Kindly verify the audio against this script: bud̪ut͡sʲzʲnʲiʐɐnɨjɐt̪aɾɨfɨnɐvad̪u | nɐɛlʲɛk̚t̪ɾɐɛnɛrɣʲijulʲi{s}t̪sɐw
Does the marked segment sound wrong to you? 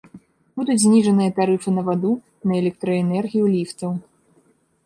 yes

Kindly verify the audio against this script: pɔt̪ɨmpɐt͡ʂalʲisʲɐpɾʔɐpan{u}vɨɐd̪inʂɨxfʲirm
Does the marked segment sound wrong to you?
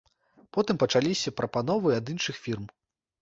yes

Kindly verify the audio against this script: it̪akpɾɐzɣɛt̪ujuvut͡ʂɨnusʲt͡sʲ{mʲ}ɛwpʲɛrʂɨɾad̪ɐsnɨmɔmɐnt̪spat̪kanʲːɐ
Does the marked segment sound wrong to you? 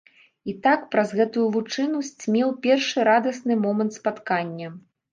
no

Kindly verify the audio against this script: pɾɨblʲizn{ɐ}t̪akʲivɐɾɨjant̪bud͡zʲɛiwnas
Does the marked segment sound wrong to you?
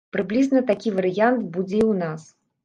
no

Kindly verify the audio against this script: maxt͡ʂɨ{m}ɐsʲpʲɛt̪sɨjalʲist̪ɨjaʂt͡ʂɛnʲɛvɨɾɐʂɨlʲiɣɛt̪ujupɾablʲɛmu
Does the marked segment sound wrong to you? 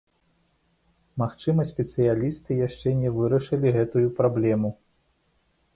no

